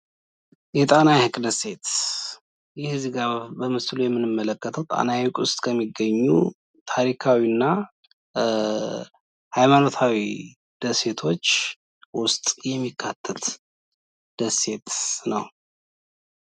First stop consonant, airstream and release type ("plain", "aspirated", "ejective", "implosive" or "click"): ejective